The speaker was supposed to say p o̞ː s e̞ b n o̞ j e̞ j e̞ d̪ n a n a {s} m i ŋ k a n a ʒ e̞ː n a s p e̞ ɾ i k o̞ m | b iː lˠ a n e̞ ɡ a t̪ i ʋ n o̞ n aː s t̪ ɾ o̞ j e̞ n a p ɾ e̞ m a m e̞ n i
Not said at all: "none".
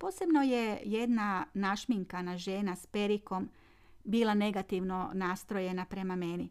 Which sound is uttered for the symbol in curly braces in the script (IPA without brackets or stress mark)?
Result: ʃ